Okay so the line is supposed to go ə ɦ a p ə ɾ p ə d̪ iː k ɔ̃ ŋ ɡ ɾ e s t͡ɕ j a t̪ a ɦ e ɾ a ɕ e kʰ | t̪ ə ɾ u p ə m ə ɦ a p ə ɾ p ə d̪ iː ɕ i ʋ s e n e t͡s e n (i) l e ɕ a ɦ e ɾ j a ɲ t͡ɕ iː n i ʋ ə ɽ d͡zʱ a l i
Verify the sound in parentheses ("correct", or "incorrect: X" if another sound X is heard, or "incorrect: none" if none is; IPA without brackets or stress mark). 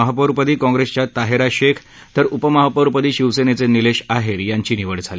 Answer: correct